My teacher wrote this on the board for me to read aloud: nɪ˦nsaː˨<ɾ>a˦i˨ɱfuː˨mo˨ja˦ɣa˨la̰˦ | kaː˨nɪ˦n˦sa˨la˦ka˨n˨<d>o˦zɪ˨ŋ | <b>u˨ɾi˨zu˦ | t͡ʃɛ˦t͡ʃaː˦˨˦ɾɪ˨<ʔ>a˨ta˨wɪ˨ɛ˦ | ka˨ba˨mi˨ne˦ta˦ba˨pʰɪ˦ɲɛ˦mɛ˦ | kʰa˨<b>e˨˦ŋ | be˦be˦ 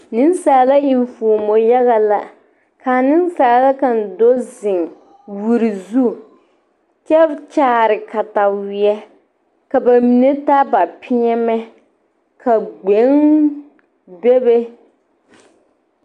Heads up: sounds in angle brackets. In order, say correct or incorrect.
incorrect: l, correct, incorrect: w, incorrect: k, incorrect: ɡ͡b

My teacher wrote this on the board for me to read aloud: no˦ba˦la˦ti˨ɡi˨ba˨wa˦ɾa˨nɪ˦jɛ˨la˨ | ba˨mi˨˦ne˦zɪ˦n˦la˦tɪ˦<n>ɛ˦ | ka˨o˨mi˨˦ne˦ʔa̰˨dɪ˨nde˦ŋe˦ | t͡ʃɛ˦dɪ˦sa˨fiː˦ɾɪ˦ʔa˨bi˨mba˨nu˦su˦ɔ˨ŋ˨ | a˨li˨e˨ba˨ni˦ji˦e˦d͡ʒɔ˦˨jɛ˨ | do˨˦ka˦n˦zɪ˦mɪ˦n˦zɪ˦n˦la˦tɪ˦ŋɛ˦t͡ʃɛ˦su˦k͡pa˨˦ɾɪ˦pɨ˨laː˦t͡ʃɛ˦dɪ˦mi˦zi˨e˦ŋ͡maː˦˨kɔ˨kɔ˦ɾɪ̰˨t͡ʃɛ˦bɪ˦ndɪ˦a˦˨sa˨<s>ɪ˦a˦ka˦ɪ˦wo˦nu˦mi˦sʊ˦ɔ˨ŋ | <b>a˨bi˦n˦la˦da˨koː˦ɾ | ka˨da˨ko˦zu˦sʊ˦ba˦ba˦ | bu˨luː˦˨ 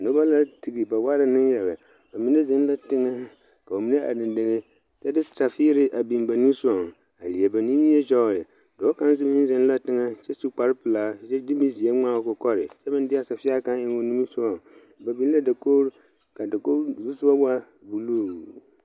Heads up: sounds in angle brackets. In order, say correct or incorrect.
incorrect: ŋ, incorrect: f, correct

